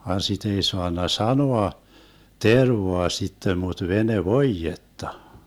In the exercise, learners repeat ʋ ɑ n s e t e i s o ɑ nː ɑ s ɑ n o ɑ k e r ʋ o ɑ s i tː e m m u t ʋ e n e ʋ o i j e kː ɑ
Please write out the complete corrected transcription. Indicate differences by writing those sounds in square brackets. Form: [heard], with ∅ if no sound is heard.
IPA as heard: ʋ ɑ n s [i] t e i s o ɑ nː ɑ s ɑ n o ɑ [t] e r ʋ o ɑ s i tː e m m u t ʋ e n e ʋ o i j e [tː] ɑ